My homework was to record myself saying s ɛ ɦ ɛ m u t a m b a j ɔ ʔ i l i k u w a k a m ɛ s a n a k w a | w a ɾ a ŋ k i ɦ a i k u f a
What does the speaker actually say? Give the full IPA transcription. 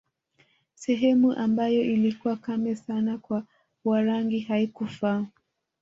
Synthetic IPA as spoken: s ɛ ɦ ɛ m u ʔ a m b a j ɔ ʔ i l i k u w a k a m ɛ s a n a k w a | w a ɾ a ŋ ɡ i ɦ a i k u f a